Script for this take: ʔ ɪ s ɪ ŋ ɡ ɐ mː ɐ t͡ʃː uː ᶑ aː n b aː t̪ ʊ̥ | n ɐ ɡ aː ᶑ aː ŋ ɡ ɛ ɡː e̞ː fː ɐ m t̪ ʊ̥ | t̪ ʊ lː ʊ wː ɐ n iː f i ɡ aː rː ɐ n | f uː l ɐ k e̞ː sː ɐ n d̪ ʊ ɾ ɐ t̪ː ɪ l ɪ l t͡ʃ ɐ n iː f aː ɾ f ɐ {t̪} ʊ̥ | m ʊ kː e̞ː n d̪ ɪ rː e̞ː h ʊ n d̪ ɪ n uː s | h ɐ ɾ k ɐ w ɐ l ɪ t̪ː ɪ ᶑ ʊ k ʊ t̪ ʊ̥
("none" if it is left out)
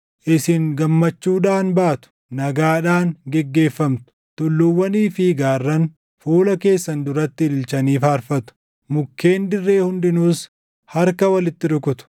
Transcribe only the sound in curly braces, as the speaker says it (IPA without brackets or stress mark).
t̪